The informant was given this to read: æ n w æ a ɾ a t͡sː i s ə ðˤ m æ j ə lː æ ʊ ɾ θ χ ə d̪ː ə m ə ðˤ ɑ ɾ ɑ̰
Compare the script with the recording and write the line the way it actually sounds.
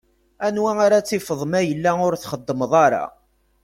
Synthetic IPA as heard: æ n w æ a ɾ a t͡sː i f ə ðˤ m æ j ə lː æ ʊ ɾ θ χ ə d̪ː ə m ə ðˤ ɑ ɾ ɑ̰

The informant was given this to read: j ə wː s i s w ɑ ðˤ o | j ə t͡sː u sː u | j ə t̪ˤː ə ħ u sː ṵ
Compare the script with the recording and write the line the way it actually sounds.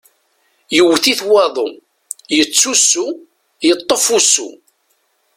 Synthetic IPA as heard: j ə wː θ i θ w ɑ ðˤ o | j ə t͡sː u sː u | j ə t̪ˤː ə f u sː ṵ

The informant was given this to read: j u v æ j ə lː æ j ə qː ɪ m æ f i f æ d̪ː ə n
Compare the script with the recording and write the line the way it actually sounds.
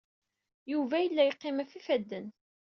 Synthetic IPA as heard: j u v æ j ə lː æ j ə qː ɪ m æ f i f æ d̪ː ə n

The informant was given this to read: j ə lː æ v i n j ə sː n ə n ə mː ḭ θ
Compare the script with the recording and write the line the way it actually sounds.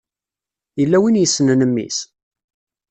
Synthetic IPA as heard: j ə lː æ w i n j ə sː n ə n ə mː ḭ s

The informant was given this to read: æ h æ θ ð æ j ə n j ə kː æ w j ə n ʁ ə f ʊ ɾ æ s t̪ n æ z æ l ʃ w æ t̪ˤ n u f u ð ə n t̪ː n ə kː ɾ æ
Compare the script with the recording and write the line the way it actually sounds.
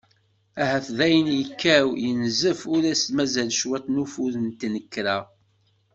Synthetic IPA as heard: æ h æ θ ð æ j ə n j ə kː æ w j ə n z ə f ʊ ɾ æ s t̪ m æ z æ l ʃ w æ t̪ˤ n u f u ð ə n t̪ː n ə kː ɾ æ

